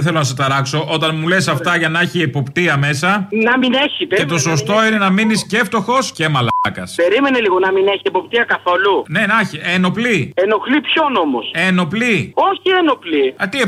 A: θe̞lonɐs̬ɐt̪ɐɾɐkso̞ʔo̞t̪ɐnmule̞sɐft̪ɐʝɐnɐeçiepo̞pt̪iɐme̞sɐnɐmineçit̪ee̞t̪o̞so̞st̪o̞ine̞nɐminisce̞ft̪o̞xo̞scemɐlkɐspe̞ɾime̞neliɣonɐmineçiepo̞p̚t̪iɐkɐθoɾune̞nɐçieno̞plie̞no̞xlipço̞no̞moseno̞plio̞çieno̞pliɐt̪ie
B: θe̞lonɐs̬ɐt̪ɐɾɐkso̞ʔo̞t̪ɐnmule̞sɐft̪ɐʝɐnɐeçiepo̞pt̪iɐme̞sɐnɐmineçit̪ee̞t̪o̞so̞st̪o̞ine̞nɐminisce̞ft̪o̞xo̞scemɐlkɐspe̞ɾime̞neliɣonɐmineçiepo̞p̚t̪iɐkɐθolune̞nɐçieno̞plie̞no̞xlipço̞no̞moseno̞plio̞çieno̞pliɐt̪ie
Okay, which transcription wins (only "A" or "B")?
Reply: B